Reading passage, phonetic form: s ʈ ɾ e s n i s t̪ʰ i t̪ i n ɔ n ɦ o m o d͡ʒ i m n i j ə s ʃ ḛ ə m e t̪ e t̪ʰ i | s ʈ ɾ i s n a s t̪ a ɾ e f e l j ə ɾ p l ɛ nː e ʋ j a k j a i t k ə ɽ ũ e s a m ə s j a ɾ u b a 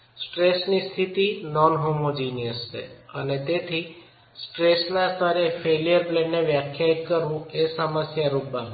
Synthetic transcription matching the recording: s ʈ ɾ e s n i s t̪ʰ i t̪ i n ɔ n ɦ o m o d͡ʒ i n i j ə s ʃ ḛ ə n e t̪ e t̪ʰ i | s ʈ ɾ e s n a s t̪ a ɾ e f e l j ə ɾ p l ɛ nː e ʋ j a kʰ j a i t k ə ɾ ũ e s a m ə s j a ɾ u b a